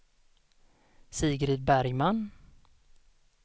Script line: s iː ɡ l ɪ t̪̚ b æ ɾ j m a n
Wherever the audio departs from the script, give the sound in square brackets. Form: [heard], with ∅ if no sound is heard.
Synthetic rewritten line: s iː ɡ [ɾ] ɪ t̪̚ b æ ɾ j m a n